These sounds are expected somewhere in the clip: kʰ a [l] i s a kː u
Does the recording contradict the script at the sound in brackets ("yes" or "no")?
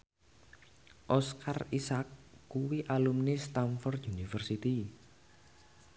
yes